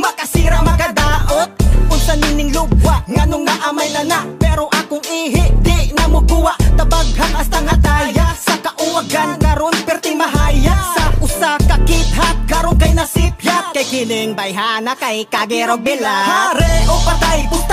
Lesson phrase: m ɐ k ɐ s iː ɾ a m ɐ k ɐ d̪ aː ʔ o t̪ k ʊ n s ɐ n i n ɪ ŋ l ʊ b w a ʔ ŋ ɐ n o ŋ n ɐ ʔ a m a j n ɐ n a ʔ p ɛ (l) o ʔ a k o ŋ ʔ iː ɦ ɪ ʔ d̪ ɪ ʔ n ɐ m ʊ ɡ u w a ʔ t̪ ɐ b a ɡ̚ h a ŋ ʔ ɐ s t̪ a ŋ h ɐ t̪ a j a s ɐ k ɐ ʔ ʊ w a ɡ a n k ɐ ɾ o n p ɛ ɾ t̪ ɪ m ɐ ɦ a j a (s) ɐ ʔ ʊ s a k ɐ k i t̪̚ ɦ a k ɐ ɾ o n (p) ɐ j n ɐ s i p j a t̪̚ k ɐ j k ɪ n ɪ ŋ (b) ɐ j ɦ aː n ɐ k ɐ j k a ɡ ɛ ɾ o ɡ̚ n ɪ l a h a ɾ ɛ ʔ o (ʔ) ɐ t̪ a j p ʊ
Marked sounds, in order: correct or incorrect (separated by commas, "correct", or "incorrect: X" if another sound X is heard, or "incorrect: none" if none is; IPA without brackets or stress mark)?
incorrect: ɾ, correct, incorrect: k, correct, incorrect: p